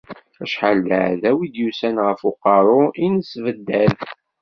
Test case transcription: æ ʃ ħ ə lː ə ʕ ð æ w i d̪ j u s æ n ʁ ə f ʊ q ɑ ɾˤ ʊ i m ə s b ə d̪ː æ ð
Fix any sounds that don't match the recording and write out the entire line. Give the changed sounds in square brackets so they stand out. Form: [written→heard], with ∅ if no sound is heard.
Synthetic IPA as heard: æ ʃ ħ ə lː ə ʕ ð æ w i d̪ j u s æ n ʁ ə f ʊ q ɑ ɾˤ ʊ i [m→n] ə s [b→v] ə d̪ː æ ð